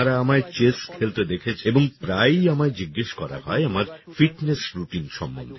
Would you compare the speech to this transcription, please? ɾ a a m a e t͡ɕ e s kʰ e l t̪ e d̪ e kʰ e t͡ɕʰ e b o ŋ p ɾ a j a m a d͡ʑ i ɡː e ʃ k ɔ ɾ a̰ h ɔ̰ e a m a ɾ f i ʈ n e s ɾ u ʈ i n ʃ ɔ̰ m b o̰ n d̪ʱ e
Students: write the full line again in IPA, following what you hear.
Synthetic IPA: ɾ a a m a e t͡ɕ e s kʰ e l t̪ e d̪ e kʰ e t͡ɕʰ e b o ŋ p ɾ a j a m a d͡ʑ i ɡː e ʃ k ɔ ɾ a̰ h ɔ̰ e a m a ɾ f i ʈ n e s ɾ u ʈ i n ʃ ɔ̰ m b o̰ n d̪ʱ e